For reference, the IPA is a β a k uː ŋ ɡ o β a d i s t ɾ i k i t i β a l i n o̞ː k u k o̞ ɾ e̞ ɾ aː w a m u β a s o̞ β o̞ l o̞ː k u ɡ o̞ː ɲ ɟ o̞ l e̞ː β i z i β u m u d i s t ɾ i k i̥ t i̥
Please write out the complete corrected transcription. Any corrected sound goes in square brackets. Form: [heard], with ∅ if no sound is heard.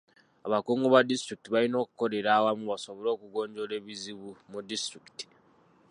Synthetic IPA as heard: a β a k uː ŋ ɡ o β a d i s t ɾ i k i t i β a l i n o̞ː k u k o̞ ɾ e̞ ɾ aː w a m u β a s o̞ β o̞ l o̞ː k u ɡ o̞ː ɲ ɟ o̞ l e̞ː β i z i β u m u d i s t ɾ i k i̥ t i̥